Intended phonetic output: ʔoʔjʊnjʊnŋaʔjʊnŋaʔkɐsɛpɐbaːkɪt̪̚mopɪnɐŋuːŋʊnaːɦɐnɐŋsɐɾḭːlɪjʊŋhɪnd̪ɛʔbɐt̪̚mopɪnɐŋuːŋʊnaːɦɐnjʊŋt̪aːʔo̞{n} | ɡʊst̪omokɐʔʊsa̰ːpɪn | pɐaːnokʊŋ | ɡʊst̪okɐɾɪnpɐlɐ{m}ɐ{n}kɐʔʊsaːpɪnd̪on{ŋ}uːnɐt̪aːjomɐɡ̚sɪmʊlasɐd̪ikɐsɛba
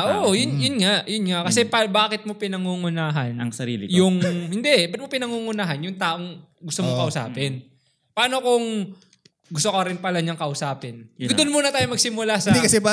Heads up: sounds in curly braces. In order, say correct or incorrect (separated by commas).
incorrect, incorrect, incorrect, incorrect